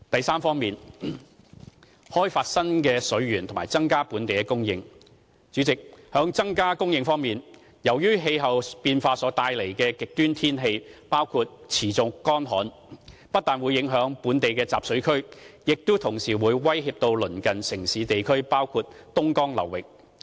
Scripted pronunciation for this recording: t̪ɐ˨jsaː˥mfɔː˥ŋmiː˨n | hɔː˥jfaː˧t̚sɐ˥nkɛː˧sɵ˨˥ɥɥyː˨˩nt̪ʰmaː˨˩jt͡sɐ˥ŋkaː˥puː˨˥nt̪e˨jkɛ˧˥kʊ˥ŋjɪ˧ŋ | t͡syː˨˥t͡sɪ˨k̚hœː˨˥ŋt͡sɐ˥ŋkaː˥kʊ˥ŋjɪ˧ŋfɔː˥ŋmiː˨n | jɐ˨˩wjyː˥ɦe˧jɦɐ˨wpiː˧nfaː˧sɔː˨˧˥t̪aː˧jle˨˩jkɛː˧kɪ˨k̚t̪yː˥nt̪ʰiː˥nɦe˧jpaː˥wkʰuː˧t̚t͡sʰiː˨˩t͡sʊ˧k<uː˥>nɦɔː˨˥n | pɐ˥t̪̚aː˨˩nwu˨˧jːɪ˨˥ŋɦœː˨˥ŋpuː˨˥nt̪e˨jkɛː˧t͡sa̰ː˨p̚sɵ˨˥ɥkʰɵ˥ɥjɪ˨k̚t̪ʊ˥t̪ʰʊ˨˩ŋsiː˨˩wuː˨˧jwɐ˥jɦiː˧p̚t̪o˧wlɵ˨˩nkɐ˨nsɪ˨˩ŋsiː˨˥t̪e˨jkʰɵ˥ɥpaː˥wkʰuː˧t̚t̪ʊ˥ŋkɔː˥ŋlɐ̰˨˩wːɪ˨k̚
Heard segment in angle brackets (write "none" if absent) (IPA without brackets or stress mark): ɔː˥